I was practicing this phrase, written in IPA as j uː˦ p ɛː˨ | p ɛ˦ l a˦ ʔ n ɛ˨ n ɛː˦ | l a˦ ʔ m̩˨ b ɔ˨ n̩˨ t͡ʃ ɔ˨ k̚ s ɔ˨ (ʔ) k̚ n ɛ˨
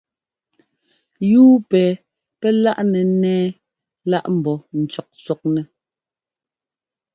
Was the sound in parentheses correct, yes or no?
no